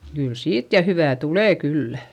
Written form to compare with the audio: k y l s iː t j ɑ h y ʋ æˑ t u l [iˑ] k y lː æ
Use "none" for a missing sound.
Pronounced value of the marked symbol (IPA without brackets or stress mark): eˑ